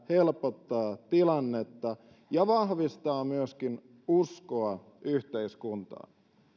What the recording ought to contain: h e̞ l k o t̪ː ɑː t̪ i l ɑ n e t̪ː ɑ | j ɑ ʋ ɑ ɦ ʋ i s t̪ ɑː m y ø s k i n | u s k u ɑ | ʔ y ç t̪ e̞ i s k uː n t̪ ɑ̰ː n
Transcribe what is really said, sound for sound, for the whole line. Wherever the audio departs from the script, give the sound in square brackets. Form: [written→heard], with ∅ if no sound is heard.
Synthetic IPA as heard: h e̞ l [k→p] o t̪ː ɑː t̪ i l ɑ [n→nː] e t̪ː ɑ | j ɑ ʋ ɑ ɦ ʋ i s t̪ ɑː m y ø s k i n | u s k [u→o] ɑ | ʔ y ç t̪ e̞ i s k [uː→u] n t̪ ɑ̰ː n